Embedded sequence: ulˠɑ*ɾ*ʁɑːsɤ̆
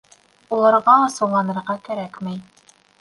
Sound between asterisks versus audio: correct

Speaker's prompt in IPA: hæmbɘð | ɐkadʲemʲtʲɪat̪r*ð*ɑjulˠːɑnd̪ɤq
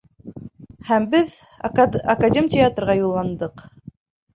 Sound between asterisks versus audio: incorrect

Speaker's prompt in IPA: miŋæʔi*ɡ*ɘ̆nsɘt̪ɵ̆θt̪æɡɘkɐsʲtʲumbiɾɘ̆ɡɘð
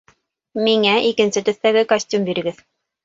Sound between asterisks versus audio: incorrect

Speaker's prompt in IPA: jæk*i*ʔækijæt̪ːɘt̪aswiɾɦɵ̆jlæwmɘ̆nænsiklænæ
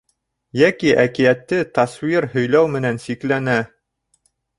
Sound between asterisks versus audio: correct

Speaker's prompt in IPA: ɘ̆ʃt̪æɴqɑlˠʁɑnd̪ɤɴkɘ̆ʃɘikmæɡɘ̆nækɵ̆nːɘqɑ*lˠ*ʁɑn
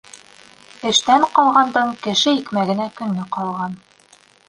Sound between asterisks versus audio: correct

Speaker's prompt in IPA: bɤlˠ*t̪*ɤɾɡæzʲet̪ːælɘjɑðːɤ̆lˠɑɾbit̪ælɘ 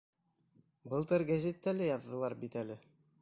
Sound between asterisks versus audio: correct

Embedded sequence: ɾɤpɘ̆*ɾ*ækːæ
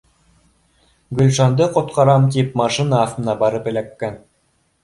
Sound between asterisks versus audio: incorrect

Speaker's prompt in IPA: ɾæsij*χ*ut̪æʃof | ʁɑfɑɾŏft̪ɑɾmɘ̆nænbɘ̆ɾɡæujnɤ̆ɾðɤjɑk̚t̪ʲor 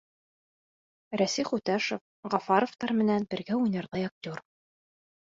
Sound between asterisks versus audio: correct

